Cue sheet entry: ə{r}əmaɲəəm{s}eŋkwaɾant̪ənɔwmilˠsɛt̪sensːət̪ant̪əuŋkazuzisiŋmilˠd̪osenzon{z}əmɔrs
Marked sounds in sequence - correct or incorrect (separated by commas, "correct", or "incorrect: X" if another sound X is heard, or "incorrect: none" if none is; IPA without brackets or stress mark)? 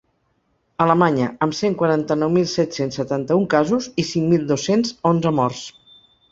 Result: incorrect: l, correct, correct